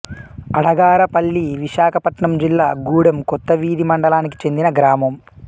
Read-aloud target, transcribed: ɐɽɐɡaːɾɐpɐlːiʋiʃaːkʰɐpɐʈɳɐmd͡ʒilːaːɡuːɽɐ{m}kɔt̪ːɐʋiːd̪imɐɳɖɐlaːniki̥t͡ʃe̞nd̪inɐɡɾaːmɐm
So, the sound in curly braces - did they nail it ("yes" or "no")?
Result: yes